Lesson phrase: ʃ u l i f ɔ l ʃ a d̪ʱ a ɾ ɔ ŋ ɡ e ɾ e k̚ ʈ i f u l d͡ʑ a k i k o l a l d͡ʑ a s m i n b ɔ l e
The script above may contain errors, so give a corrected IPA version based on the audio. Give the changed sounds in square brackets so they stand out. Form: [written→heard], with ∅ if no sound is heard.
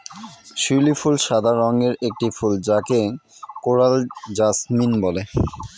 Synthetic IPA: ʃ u l i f [ɔ→u] l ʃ a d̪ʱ a ɾ ɔ ŋ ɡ e ɾ e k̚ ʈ i f u l d͡ʑ a k [i→e] k o [l→ɾ] a l d͡ʑ a s m i n b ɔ l e